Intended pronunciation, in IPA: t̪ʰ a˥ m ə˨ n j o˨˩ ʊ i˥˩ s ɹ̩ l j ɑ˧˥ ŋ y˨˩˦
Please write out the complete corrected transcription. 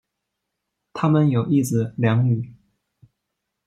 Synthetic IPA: t̪ʰ a˥ m ə˨ n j o˨˩ ʊ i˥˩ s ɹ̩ l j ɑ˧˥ ŋ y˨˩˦